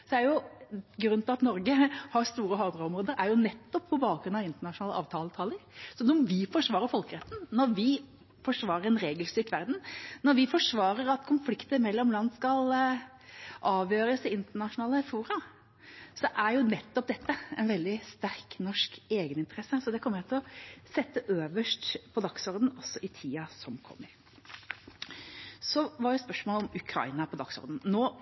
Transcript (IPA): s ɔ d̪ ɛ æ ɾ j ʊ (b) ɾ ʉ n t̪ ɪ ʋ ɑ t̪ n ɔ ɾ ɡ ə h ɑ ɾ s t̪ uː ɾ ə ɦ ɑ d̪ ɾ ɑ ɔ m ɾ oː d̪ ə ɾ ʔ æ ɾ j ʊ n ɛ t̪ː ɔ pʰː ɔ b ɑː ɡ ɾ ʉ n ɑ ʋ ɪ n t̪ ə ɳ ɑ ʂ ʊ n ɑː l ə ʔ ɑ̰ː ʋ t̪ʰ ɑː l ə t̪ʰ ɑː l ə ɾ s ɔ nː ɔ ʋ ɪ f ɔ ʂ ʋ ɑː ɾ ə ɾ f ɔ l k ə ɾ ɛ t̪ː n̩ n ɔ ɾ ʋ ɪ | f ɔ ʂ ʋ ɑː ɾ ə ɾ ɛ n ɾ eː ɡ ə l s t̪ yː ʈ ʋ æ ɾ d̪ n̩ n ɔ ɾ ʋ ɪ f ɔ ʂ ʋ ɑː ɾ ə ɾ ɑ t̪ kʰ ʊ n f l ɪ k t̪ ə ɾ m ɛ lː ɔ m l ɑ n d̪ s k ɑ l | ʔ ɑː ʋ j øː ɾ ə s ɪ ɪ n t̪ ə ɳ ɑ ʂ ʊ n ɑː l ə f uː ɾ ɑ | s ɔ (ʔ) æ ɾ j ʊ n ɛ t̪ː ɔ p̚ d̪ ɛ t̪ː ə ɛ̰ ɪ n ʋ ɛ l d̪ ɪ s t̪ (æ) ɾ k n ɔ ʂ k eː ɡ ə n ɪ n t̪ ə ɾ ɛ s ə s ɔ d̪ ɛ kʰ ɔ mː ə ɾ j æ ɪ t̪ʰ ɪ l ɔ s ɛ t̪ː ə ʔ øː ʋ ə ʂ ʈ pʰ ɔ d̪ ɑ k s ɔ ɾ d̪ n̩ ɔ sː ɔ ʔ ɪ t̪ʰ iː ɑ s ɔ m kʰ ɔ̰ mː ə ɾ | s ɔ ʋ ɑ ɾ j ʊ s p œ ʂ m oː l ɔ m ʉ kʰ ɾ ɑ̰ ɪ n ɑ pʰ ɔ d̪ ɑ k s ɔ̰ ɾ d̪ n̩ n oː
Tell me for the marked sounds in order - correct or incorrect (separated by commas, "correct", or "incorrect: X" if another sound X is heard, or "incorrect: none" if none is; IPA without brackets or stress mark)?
incorrect: ɡ, correct, correct